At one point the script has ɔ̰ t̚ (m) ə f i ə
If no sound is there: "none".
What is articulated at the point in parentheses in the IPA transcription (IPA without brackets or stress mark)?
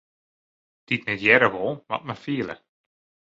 m